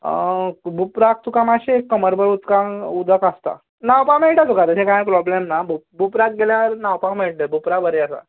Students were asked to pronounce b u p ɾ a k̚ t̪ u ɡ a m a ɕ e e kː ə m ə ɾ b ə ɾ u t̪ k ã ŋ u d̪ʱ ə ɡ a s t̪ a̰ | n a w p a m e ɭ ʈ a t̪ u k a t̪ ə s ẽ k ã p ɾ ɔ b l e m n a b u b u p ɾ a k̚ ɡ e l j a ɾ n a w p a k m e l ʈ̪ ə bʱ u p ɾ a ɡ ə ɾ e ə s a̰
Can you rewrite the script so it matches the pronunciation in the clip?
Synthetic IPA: b u p ɾ a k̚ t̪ u k a m a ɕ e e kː ə m ə ɾ b ə ɾ u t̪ k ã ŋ u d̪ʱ ə k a s t̪ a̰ | n a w p a m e ɭ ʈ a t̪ u k a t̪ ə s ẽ k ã p ɾ ɔ b l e m n a b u b u p ɾ a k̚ ɡ e l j a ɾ n a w p a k m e ɭ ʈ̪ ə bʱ u p ɾ a b ə ɾ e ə s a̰